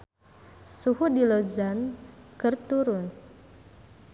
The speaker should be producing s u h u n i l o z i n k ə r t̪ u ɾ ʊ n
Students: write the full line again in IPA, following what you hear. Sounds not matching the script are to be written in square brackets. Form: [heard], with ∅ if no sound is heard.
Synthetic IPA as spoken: s u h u [d] i l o z [a] n k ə r t̪ u ɾ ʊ n